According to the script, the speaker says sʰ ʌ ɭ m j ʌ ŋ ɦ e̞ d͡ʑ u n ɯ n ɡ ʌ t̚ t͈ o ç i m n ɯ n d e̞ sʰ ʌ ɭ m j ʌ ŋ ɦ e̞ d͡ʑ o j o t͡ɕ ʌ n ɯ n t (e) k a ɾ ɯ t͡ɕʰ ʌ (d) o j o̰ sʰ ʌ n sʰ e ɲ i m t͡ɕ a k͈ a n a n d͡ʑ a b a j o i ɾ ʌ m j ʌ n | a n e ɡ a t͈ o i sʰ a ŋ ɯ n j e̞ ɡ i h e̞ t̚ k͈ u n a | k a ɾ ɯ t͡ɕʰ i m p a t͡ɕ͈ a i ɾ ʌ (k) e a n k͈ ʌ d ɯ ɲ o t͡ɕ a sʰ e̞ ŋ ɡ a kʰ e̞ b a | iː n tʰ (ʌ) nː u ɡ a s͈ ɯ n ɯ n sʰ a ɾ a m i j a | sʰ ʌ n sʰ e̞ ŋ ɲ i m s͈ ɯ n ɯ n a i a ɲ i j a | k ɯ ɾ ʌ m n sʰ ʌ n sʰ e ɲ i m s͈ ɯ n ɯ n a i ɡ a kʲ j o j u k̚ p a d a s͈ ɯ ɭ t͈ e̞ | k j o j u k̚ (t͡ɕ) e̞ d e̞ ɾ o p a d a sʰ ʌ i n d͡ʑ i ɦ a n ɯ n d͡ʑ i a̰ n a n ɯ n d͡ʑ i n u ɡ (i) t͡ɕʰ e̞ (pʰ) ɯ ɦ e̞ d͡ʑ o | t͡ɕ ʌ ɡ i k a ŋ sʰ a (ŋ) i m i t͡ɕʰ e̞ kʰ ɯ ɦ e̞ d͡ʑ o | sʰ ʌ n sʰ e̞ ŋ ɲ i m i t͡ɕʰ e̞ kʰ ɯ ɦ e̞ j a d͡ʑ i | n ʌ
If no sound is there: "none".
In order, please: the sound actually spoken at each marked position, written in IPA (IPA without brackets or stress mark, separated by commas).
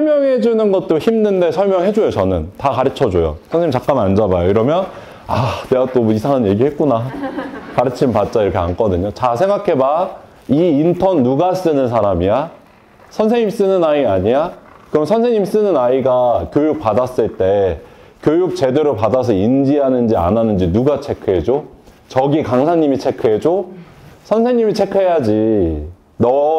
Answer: a, d͡ʑ, kʰ, ʌ, t͡ɕ, a, kʰ, ɲ